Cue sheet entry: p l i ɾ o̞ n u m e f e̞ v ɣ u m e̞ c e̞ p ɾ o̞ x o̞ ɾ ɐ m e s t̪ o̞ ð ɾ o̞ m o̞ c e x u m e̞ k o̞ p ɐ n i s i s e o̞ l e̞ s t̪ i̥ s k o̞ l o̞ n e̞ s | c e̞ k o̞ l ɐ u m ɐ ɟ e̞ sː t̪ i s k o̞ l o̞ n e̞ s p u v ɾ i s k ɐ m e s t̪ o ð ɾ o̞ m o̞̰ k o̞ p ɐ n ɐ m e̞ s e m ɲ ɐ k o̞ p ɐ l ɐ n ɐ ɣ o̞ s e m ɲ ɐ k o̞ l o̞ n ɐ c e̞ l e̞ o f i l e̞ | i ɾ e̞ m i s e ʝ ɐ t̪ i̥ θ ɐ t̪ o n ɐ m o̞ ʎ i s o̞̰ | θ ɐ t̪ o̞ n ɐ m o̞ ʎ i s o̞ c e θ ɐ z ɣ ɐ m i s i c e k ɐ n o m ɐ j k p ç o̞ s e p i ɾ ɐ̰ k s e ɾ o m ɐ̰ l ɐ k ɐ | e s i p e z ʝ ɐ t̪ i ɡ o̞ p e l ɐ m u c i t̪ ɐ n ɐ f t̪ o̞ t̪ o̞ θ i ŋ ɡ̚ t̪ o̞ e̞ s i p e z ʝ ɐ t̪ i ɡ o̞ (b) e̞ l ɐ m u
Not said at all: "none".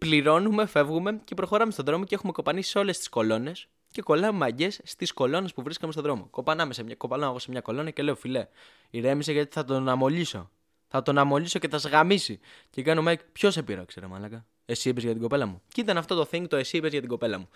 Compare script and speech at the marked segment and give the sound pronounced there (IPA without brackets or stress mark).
p